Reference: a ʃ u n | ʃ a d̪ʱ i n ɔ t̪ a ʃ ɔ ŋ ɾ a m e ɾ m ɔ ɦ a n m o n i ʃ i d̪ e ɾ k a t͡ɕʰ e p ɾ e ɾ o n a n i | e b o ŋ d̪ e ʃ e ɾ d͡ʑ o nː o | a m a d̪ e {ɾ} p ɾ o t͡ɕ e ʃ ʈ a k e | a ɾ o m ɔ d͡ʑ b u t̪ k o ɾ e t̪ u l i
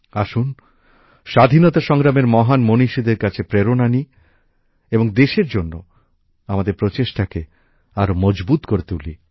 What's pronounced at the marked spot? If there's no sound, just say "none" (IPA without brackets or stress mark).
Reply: ɾ